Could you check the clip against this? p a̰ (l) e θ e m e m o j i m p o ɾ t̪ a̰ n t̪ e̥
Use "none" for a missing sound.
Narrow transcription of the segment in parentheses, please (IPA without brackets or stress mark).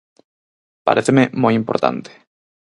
ɾ